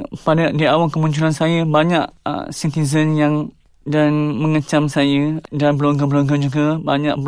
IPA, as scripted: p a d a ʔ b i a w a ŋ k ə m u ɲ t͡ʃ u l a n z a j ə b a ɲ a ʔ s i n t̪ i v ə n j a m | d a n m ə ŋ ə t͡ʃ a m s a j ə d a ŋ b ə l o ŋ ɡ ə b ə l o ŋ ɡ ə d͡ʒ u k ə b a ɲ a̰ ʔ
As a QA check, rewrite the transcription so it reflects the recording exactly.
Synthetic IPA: p a d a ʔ d i a w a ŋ k ə m u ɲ t͡ʃ u l a n s a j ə b a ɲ a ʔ s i n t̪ i z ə n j a ŋ | d a n m ə ŋ ə t͡ʃ a m s a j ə d a n b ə l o ŋ ɡ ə b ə l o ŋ ɡ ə d͡ʒ u ɡ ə b a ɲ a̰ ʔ